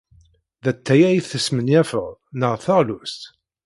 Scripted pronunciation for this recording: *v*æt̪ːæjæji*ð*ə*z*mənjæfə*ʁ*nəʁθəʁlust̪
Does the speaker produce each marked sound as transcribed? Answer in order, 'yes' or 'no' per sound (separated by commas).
no, no, no, yes